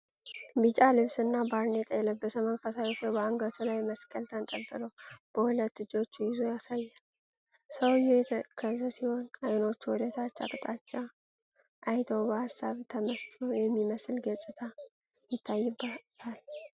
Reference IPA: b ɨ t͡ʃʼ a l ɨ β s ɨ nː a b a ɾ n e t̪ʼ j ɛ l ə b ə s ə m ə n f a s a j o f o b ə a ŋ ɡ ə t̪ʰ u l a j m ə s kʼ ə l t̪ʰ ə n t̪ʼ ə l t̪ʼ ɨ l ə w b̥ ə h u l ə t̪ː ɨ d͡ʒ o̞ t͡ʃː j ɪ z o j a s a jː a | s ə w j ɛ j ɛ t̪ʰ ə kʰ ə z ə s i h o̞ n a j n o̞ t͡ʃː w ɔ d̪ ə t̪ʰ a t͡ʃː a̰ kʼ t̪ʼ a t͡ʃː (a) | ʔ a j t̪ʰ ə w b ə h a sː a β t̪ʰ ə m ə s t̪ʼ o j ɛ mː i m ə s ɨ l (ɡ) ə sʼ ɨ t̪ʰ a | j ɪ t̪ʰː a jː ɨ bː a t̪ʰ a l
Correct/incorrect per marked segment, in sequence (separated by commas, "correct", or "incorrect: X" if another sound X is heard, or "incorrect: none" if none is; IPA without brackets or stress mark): correct, correct